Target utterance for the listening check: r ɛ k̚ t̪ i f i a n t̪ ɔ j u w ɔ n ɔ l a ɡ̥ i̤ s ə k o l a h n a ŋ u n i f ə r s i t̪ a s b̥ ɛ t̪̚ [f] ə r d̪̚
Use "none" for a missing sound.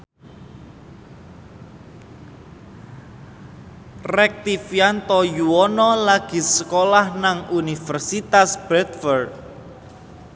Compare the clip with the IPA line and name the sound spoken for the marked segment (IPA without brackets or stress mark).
f